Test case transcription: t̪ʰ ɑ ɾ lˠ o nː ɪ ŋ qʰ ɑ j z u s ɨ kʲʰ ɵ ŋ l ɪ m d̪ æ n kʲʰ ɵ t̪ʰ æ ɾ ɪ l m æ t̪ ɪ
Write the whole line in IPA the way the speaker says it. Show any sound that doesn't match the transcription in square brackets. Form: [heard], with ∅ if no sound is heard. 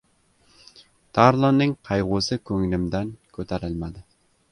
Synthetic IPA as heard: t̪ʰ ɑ ɾ lˠ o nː ɪ ŋ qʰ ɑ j [ʁ] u s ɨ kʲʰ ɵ ŋ l ɪ m d̪ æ n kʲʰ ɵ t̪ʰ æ ɾ ɪ l m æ [d̪] ɪ